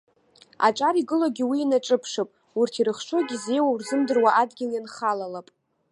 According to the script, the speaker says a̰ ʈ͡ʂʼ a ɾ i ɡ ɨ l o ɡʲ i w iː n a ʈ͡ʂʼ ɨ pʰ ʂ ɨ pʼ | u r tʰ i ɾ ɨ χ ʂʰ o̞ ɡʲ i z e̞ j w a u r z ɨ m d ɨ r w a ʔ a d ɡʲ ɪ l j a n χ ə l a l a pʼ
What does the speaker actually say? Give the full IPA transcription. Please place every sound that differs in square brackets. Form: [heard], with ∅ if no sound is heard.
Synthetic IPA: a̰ ʈ͡ʂʼ a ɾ i ɡ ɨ l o ɡʲ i w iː n a ʈ͡ʂʼ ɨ pʰ ʂ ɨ pʼ | u r tʰ i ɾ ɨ χ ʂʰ o̞ ɡʲ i z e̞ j w a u r z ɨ m d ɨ r w a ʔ a d ɡʲ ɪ l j a n χ [a] l a l a pʼ